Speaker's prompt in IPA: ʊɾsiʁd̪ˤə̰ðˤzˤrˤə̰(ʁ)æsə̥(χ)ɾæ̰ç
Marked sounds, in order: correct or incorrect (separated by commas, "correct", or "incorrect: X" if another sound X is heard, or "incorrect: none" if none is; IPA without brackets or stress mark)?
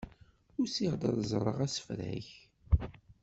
correct, incorrect: f